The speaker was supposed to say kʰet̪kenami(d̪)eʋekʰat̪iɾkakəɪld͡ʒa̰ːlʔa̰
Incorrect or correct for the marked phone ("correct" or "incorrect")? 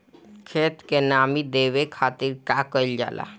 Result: correct